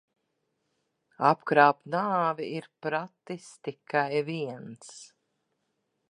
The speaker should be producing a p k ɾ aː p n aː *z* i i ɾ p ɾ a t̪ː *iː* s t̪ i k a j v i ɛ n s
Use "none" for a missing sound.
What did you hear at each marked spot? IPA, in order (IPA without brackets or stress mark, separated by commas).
v, i